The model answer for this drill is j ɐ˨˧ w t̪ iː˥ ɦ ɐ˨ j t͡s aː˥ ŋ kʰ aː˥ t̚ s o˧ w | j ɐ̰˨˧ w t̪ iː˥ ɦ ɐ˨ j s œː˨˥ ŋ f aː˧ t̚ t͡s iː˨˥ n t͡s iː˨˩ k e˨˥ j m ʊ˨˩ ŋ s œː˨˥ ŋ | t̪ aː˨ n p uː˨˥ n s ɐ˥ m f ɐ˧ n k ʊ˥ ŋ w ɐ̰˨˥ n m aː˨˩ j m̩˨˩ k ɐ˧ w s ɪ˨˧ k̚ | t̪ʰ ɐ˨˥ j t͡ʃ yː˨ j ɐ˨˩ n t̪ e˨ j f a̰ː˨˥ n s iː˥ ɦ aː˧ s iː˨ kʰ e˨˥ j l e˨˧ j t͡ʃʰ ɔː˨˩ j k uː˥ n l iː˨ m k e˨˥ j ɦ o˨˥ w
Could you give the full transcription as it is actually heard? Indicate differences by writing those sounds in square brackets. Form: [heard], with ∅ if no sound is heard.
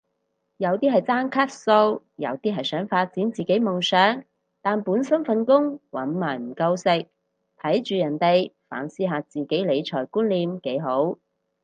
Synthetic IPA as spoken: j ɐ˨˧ w t̪ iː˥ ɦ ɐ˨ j t͡s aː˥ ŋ kʰ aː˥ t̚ s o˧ w | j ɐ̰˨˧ w t̪ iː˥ ɦ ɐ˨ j s œː˨˥ ŋ f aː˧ t̚ t͡s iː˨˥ n t͡s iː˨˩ k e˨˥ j m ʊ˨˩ ŋ s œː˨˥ ŋ | t̪ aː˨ n p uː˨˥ n s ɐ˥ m f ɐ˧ n k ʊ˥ ŋ w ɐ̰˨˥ n m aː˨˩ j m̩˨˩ k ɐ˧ w s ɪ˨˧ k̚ | t̪ʰ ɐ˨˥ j t͡ʃ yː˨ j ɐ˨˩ n t̪ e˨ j f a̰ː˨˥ n s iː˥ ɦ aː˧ [t͡s] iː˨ [k] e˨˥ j l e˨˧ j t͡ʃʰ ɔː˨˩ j k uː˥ n l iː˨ m k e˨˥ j ɦ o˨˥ w

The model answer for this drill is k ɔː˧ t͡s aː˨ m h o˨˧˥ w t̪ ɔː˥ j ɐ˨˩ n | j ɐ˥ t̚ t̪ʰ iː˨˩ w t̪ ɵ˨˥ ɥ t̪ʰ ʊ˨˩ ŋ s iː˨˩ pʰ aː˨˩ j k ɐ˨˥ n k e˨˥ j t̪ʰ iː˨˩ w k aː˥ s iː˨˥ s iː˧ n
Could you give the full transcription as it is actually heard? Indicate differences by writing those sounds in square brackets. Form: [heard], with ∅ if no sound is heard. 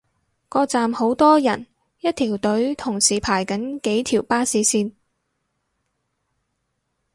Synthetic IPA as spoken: k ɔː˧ t͡s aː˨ m h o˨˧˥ w t̪ ɔː˥ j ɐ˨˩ n | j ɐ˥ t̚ t̪ʰ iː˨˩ w t̪ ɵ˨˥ ɥ t̪ʰ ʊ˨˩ ŋ s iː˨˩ pʰ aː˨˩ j k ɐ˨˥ n k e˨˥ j t̪ʰ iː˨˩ w [p] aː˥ s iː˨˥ s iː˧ n

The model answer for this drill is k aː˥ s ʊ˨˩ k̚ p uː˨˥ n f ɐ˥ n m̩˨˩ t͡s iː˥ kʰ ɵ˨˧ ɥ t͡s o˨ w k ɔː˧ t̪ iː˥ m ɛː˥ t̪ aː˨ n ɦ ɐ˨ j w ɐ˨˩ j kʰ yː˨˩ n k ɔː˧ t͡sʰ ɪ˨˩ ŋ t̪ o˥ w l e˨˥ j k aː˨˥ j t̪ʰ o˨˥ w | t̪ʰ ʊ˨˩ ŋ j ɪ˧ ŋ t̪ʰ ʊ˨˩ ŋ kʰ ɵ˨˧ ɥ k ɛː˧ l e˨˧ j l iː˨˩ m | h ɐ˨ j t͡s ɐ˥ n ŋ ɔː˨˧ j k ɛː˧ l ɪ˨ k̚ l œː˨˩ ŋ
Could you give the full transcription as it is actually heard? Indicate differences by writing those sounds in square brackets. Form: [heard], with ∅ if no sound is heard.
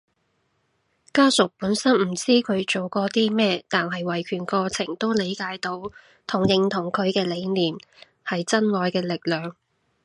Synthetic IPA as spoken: k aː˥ s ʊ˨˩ k̚ p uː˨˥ n [s] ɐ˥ n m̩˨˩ t͡s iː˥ kʰ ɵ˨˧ ɥ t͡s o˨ w k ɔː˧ t̪ iː˥ m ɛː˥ t̪ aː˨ n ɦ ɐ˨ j w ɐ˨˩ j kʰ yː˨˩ n k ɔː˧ t͡sʰ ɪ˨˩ ŋ t̪ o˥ w l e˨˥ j k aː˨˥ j [t̪] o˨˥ w | t̪ʰ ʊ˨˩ ŋ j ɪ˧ ŋ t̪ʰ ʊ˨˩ ŋ kʰ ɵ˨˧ ɥ k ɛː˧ l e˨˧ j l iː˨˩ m | h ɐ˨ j t͡s ɐ˥ n ŋ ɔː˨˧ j k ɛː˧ l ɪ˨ k̚ l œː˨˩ ŋ

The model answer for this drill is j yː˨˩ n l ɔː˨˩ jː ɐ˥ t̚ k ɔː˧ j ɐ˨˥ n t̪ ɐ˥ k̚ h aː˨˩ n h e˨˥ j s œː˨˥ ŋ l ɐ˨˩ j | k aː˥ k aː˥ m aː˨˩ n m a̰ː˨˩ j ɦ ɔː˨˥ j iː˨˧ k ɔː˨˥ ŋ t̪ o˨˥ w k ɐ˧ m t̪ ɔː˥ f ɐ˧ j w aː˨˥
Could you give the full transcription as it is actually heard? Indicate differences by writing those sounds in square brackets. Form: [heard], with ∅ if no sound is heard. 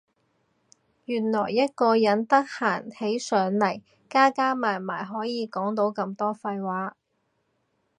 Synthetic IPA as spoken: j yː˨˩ n l ɔː˨˩ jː ɐ˥ t̚ k ɔː˧ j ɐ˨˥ n t̪ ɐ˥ k̚ h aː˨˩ n h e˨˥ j s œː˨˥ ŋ l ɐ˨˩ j | k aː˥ k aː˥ m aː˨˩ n m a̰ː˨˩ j ɦ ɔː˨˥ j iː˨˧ k ɔː˨˥ ŋ t̪ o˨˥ w k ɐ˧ m t̪ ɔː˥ f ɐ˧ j w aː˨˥

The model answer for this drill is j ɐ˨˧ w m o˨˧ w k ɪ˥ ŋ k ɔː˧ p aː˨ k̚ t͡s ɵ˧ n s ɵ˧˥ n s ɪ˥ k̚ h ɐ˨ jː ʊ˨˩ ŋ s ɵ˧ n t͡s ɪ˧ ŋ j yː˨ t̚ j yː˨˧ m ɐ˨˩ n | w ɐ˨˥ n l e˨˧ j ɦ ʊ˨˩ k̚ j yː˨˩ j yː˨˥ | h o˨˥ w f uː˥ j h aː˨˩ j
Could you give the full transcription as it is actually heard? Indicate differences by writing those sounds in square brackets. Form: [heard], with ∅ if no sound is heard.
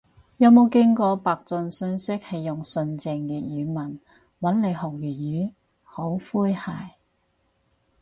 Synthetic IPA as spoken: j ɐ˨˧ w m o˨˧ w k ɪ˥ ŋ k ɔː˧ p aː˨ k̚ t͡s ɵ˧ n s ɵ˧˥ n s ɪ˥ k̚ h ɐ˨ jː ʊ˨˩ ŋ s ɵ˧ n t͡s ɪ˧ ŋ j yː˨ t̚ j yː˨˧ m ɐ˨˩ n | w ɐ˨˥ n l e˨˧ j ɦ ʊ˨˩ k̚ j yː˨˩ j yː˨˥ | h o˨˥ w f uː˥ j h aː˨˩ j

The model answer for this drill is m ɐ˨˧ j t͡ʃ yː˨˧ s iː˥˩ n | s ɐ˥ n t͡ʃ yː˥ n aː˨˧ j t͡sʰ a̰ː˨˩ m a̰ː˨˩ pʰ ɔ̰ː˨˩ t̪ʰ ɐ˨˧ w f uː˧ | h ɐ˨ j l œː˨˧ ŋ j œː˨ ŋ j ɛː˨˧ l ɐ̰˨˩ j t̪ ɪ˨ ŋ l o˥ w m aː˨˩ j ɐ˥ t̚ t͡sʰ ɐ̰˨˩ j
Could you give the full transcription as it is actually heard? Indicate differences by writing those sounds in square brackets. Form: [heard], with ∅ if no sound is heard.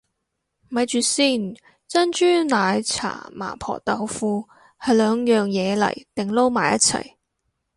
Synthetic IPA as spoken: m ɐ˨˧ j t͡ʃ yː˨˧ s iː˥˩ n | [t͡s] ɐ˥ n t͡ʃ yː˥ n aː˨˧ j t͡sʰ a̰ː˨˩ m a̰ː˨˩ pʰ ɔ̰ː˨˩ [t̪] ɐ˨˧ w f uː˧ | h ɐ˨ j l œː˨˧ ŋ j œː˨ ŋ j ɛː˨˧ l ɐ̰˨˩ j t̪ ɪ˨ ŋ l o˥ w m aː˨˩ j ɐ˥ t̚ t͡sʰ ɐ̰˨˩ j

